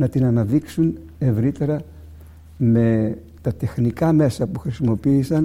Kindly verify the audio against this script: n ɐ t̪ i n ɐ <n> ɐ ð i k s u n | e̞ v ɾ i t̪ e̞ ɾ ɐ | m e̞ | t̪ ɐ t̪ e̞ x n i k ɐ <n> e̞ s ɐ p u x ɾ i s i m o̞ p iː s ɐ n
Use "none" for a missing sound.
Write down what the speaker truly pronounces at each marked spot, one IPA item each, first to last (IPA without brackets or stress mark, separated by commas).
n, m